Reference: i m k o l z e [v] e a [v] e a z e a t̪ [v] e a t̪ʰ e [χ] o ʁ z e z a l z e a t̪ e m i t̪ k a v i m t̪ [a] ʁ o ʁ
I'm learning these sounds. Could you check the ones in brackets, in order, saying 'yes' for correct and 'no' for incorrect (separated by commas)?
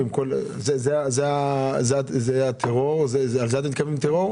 no, no, no, no, no